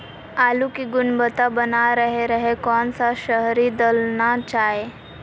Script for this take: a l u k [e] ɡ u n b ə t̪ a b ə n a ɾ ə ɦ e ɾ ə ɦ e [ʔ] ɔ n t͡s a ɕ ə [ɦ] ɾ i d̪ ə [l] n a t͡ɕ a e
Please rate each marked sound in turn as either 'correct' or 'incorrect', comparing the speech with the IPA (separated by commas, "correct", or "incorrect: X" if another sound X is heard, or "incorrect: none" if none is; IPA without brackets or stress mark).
incorrect: i, incorrect: k, correct, correct